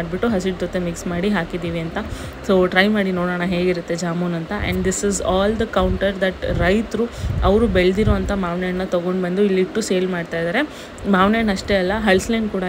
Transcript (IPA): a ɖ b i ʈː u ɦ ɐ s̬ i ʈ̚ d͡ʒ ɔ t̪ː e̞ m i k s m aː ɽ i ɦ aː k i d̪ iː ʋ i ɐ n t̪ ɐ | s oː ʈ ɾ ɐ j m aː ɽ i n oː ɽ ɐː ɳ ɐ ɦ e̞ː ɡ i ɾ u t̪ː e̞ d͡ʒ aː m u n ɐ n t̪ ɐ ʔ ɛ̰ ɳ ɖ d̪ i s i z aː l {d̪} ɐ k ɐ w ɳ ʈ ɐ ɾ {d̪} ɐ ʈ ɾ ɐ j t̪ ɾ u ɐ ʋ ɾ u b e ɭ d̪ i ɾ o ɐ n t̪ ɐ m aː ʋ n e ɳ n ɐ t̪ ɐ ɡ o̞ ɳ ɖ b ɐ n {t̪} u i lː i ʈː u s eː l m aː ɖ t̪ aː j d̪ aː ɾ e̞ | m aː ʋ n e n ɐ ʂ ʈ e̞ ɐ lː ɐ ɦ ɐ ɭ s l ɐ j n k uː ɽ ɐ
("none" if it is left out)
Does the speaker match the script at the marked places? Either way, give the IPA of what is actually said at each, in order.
d̪, d̪, d̪

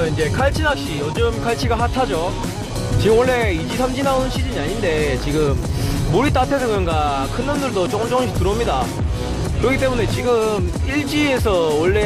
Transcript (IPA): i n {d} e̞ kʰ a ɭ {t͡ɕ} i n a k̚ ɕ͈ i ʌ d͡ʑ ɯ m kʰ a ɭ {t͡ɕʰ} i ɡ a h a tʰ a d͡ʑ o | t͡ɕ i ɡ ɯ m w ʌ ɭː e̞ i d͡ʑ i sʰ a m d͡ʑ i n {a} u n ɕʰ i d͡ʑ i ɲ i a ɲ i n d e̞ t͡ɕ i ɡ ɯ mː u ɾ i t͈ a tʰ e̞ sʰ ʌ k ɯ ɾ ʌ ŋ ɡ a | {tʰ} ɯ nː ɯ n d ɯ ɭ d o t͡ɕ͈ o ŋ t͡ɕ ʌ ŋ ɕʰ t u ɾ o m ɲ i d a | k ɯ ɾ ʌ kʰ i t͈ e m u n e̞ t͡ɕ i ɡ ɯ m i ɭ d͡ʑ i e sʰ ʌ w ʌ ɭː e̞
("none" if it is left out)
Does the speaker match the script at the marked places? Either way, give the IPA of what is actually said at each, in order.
d͡ʑ, t͡ɕʰ, t͡ɕʰ, a, kʰ

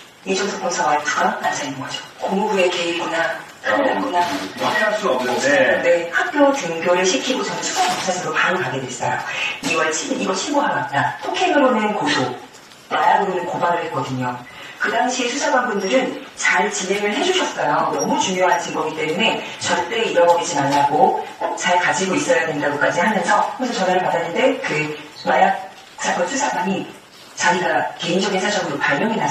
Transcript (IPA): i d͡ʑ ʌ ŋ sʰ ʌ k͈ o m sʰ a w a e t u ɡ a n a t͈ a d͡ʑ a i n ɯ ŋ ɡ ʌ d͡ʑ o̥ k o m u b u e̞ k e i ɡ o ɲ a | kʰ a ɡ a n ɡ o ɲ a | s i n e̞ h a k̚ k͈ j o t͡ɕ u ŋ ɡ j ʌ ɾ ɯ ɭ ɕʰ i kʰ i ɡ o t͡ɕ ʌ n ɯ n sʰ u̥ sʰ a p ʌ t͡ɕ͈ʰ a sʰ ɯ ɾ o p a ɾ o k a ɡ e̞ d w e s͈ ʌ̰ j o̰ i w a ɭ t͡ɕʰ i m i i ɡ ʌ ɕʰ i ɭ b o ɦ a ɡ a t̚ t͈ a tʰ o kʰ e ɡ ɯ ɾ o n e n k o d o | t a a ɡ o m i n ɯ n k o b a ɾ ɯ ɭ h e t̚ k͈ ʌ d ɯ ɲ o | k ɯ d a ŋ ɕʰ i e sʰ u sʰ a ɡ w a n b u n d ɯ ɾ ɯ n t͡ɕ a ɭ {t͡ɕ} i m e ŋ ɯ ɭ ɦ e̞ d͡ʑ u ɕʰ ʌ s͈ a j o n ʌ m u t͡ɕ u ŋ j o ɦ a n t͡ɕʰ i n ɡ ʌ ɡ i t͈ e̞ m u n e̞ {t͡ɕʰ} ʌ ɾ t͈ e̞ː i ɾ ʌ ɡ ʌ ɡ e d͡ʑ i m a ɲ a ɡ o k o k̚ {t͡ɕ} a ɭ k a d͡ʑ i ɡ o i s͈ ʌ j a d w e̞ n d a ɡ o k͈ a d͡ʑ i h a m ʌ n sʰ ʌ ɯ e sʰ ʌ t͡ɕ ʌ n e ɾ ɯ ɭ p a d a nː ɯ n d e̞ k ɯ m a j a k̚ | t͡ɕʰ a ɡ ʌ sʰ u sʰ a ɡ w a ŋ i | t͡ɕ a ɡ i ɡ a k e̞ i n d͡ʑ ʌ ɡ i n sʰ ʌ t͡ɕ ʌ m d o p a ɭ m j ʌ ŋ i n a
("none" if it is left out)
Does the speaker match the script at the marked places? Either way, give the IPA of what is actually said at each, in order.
t͡ɕ, t͡ɕ, t͡ɕ

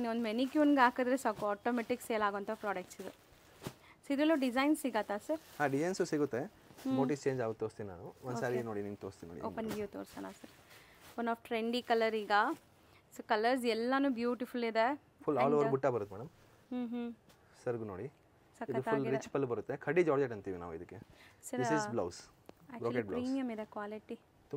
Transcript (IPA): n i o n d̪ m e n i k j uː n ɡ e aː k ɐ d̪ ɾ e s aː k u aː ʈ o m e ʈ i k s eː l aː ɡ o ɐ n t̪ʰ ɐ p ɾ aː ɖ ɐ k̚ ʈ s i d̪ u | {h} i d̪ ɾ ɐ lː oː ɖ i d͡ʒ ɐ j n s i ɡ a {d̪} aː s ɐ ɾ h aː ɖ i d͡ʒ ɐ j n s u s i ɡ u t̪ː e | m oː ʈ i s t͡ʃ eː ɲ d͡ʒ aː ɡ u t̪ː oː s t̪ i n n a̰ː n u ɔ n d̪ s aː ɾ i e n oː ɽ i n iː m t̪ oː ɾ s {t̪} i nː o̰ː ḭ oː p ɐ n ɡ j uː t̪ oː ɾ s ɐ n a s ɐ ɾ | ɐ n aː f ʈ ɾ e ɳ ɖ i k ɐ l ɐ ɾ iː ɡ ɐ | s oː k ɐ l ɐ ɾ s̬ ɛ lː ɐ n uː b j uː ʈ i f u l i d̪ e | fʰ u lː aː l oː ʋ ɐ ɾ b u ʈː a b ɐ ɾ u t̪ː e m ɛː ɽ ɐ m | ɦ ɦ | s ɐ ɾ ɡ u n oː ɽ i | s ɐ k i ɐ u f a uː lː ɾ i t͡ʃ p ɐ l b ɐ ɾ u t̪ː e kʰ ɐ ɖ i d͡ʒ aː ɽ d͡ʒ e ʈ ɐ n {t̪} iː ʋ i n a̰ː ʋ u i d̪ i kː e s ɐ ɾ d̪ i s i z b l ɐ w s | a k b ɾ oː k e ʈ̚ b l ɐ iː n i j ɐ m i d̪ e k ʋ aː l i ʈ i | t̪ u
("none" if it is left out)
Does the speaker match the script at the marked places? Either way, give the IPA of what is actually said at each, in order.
s, t̪, t̪, t̪

